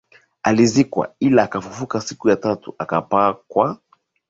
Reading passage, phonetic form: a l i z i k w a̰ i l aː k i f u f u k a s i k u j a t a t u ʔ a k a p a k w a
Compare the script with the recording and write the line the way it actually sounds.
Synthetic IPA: a l i z i k w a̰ i l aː k a f u f u k a s i k u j a t a t u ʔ a k a p a k w a